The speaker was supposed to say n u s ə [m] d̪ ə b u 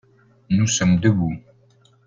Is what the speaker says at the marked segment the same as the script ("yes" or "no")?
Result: yes